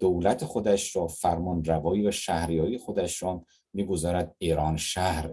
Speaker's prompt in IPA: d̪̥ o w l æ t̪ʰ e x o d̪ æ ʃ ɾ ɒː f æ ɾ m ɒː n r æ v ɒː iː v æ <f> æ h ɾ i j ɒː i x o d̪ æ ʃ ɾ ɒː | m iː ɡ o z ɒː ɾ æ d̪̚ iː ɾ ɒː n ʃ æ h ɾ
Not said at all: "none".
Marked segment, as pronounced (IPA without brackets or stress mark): ʃ